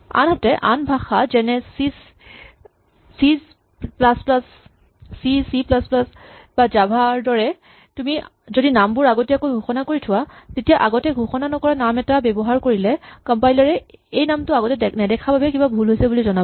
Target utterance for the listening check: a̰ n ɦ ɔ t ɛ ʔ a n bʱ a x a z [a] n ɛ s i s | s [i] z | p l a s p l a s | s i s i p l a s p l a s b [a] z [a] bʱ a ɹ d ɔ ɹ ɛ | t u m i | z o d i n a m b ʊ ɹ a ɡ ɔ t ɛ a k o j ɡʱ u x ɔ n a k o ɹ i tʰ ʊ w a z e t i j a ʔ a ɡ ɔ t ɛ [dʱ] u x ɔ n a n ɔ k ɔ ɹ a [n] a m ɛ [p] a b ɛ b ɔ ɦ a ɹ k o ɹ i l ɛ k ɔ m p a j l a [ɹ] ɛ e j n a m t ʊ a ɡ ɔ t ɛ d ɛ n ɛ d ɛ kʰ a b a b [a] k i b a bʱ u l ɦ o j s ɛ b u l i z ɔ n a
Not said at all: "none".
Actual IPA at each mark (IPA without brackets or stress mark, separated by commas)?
ɛ, i, a, a, ɡʱ, n, t, ɹ, ɛ